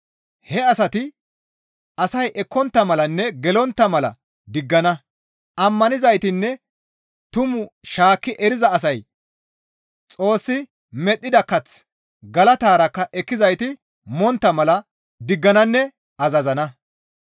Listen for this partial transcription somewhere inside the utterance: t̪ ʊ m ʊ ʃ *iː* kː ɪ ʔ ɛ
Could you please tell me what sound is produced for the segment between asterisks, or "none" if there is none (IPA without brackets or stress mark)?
aː